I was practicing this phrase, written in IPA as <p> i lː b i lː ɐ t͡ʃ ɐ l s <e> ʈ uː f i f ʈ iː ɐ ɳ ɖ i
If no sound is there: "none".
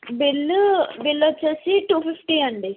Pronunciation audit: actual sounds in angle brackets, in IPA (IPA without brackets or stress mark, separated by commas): b, i